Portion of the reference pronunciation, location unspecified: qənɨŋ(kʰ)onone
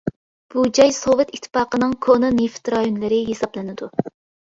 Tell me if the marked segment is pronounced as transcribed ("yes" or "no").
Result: yes